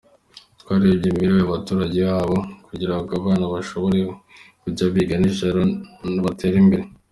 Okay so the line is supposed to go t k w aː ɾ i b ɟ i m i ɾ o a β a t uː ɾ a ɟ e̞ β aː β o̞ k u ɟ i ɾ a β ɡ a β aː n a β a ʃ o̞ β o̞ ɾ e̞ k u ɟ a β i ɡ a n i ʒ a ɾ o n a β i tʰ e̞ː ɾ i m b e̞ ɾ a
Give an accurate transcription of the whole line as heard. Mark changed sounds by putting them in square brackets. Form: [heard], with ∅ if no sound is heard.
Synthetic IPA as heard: t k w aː ɾ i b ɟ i m i ɾ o a β a t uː ɾ a ɟ e̞ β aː β o̞ k u ɟ i ɾ a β ɡ a β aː n a β a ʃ o̞ β o̞ ɾ e̞ k u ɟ a β i ɡ a n i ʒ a ɾ o n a β [a] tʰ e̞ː ɾ i m b e̞ ɾ [e]